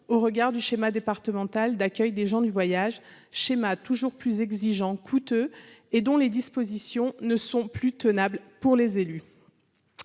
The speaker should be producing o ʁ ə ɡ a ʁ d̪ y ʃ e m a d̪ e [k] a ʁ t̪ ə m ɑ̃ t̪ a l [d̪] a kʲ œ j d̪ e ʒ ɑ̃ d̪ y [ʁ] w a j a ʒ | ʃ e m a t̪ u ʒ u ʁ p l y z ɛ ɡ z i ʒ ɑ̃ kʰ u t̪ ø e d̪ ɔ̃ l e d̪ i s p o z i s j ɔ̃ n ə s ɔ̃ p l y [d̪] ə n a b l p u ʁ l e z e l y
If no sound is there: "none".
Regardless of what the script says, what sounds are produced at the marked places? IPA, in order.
p, d̪, v, t̪

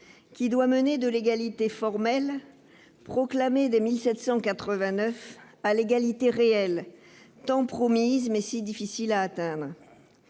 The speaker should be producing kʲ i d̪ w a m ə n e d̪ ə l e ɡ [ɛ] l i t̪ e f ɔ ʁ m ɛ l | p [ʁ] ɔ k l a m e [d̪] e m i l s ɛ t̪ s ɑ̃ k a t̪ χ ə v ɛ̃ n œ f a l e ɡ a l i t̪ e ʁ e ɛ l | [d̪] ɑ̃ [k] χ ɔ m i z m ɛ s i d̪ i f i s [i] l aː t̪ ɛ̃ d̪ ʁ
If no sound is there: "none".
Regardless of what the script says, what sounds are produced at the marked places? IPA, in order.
a, χ, d̪, t̪, p, i

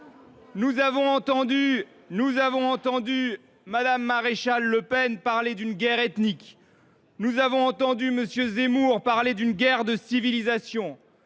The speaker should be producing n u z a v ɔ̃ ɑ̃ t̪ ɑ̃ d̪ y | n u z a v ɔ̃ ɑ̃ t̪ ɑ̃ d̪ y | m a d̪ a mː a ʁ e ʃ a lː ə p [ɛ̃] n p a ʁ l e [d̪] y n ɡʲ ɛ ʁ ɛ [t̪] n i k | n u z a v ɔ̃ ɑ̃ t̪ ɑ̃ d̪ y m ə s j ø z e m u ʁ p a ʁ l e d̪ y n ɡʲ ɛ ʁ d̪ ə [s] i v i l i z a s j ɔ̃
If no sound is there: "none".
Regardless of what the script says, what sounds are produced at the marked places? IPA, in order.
ɛ, d̪, t̪, s

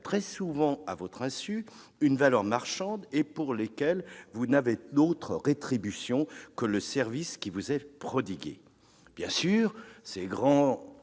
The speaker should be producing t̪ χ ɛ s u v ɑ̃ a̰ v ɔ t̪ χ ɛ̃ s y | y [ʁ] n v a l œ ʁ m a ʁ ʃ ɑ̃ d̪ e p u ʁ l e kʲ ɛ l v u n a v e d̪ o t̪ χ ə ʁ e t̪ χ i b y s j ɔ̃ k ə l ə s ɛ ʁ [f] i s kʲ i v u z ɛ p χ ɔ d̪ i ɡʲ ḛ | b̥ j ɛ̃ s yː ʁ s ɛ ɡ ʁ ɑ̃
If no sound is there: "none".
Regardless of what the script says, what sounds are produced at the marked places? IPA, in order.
none, v

